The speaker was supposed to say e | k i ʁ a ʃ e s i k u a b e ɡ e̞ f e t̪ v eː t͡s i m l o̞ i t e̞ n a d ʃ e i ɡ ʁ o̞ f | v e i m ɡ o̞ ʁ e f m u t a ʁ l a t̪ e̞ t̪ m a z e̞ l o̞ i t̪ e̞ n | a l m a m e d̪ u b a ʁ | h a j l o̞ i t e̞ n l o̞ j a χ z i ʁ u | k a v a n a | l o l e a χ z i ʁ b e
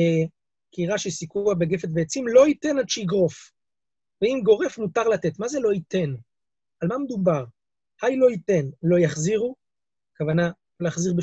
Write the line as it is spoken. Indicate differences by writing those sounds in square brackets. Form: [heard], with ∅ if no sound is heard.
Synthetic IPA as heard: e | k i ʁ a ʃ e s i k u a b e ɡ e̞ f e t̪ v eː t͡s i m l o̞ i t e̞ n a d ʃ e i ɡ ʁ o̞ f | v e i m ɡ o̞ ʁ e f m u t a ʁ l a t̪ e̞ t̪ m a z e̞ l o̞ i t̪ e̞ n | a l m a m e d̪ u b a ʁ | h a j l o̞ i t e̞ n l o̞ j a χ z i ʁ u | k a v a n a | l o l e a χ z i ʁ b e